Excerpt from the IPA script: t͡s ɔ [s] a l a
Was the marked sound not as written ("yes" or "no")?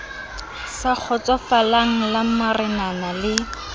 yes